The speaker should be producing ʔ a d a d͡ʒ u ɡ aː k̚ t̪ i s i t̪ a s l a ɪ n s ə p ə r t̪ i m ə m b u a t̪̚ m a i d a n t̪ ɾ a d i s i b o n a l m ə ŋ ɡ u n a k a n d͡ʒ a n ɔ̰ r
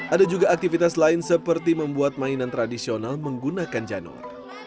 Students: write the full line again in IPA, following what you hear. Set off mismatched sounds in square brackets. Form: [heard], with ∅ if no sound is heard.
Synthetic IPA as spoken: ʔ a d a d͡ʒ u ɡ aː k̚ t̪ i [f] i t̪ a s l a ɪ n s ə p ə r t̪ i m ə m b u a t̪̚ m a i [n] a n t̪ ɾ a d i s i [∅] o n a l m ə ŋ ɡ u n a k a n d͡ʒ a n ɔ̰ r